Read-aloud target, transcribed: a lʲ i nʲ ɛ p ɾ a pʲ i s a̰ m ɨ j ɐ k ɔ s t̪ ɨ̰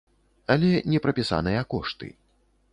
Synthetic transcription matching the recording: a lʲ ɛ nʲ ɛ p ɾ ɐ pʲ i s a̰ n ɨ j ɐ k ɔ ʂ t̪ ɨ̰

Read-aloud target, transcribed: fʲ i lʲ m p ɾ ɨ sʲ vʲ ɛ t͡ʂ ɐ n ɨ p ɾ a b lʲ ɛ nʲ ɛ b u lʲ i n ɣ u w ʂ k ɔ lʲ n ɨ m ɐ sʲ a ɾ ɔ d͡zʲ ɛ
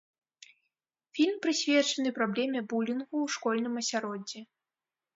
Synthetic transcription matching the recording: fʲ i lʲ m p ɾ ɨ sʲ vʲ ɛ t͡ʂ ɐ n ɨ p ɾ a b lʲ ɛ mʲ ɛ b u lʲ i n ɣ u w ʂ k ɔ lʲ n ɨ m ɐ sʲ a ɾ ɔ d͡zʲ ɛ

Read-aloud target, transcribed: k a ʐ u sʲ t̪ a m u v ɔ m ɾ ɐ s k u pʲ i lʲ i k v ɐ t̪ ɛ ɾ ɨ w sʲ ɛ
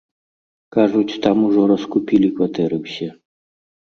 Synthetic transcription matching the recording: k a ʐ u t͡sʲ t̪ a m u ʐ ɔ ɾ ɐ s k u pʲ i lʲ i k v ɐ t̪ ɛ ɾ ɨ w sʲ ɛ

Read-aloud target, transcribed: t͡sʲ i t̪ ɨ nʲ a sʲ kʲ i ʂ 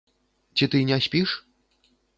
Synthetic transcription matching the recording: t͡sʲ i t̪ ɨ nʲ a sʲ pʲ i ʂ

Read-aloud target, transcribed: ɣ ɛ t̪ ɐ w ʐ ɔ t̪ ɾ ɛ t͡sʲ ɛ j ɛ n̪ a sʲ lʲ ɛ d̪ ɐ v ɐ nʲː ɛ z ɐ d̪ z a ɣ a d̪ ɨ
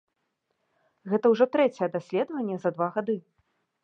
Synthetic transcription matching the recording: ɣ ɛ t̪ ɐ w ʐ ɔ t̪ ɾ ɛ t͡sʲ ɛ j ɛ d̪ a sʲ lʲ ɛ d̪ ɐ v ɐ nʲː ɛ z ɐ d̪ v a ɣ a d̪ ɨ

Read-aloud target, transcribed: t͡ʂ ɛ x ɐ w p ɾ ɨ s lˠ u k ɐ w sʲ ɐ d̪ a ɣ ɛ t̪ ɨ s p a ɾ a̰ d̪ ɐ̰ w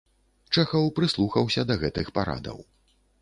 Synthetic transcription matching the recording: t͡ʂ ɛ x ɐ w p ɾ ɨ s lˠ u x ɐ w sʲ ɐ d̪ ɐ ɣ ɛ t̪ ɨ x p a ɾ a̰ d̪ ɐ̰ w

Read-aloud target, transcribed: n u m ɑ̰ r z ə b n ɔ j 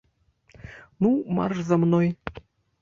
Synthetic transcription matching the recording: n u m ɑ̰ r z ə m n o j

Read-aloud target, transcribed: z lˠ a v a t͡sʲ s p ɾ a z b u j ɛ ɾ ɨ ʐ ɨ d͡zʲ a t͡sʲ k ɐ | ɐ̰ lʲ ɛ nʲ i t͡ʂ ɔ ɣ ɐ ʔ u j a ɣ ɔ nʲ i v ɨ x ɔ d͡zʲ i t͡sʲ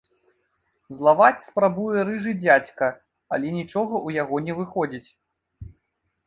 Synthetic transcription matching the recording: z lˠ a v a t͡sʲ s p ɾ a b u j ɛ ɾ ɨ ʐ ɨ d͡zʲ a t͡sʲ k ɐ | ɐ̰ lʲ ɛ nʲ i t͡ʂ ɔ ɣ ɐ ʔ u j a ɣ ɔ nʲ ɛ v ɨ x ɔ d͡zʲ i t͡sʲ

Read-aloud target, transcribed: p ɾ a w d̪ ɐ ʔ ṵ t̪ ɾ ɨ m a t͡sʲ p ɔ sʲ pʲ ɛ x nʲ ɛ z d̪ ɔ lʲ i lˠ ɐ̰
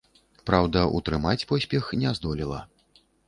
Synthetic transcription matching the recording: p ɾ a w d̪ ɐ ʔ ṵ t̪ ɾ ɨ m a t͡sʲ p ɔ sʲ pʲ ɛ x nʲ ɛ z d̪ ɔ lʲ i lˠ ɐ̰

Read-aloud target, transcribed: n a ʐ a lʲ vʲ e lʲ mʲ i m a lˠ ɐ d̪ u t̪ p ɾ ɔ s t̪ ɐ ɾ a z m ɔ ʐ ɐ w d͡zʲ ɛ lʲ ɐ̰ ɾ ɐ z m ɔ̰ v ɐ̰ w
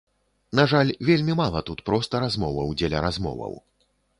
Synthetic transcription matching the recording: n a ʐ a lʲ vʲ e lʲ mʲ i m a lˠ ɐ t̪ u t̪ p ɾ ɔ s t̪ ɐ ɾ a z m ɔ v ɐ w d͡zʲ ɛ lʲ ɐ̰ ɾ a z m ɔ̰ v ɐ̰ w

